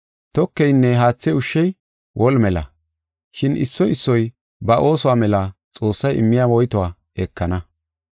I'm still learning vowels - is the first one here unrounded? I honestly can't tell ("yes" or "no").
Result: no